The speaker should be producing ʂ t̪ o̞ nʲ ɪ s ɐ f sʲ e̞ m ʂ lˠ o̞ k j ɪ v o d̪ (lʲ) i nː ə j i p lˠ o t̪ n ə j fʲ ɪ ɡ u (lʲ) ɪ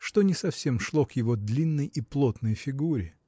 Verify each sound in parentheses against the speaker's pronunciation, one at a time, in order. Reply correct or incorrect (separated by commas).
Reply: correct, incorrect